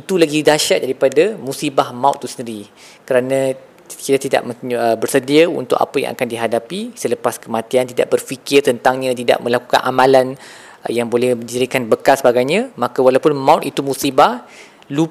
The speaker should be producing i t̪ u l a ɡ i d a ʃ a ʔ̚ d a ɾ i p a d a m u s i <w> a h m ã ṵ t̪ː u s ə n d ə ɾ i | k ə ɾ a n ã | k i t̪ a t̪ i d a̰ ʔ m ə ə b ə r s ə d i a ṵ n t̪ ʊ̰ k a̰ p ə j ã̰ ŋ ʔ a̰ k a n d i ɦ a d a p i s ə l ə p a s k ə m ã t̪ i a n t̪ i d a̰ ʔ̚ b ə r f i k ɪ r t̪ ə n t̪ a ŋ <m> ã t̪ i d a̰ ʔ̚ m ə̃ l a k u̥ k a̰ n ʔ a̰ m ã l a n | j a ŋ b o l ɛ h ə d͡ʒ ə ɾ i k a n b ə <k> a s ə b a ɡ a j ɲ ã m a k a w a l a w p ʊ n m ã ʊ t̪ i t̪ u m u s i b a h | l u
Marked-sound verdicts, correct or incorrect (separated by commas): incorrect, incorrect, correct